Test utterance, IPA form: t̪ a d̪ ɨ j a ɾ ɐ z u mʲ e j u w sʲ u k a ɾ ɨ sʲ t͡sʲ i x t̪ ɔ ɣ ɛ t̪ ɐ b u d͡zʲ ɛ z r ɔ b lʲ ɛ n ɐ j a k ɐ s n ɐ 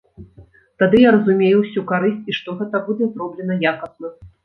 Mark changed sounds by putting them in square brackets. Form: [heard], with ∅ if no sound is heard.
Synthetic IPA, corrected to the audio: t̪ a d̪ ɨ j a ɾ ɐ z u mʲ e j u w sʲ u k a ɾ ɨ sʲ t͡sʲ i [ʂ] t̪ ɔ ɣ ɛ t̪ ɐ b u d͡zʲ ɛ z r ɔ b lʲ ɛ n ɐ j a k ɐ s n ɐ